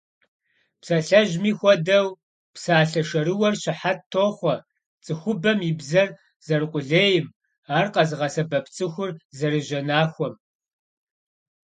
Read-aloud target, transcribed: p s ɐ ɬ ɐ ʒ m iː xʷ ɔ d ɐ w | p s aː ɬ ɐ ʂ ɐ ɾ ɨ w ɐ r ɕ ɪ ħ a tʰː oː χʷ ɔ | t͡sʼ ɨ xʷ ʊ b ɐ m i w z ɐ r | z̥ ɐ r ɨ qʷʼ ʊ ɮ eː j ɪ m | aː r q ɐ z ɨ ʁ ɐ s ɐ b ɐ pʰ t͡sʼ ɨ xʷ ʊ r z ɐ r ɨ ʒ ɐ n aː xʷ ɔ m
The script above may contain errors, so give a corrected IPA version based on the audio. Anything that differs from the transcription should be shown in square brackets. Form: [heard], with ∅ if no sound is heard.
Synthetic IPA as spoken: p s ɐ ɬ ɐ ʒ m iː xʷ ɔ d ɐ w | p s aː ɬ ɐ ʂ ɐ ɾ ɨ w ɐ r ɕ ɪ ħ a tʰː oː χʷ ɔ | t͡sʼ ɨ xʷ ʊ b ɐ m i [b] z ɐ r | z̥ ɐ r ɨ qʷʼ ʊ ɮ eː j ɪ m | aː r q ɐ z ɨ ʁ ɐ s ɐ b ɐ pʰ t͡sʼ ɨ xʷ ʊ r z ɐ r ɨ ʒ ɐ n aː xʷ ɔ m